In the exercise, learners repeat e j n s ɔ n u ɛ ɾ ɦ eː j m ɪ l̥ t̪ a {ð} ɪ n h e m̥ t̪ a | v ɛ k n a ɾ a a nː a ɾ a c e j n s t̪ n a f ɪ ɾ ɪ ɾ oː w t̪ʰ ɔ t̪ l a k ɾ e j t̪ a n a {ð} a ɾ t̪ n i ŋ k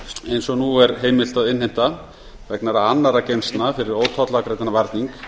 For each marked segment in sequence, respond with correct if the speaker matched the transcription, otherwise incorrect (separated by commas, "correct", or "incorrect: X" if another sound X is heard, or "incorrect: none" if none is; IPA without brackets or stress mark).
correct, incorrect: v